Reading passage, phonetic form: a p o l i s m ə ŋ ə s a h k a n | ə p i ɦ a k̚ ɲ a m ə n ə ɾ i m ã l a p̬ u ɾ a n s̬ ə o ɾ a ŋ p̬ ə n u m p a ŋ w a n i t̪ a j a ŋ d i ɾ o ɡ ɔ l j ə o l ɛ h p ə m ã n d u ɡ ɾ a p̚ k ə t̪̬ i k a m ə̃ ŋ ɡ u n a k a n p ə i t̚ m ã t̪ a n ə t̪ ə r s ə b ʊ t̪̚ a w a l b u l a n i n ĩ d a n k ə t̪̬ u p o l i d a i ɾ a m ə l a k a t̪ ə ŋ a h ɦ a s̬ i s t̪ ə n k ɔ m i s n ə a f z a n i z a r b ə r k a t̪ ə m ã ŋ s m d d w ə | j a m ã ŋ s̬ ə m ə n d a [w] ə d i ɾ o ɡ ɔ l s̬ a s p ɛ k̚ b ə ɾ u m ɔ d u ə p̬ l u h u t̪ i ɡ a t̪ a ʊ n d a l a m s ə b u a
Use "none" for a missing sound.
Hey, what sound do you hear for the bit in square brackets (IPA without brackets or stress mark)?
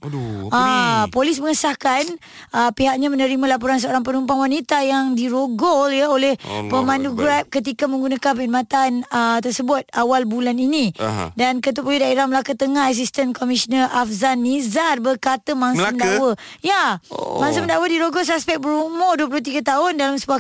w